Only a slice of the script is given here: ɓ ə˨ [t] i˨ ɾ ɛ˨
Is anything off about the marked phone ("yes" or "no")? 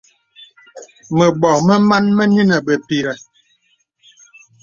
yes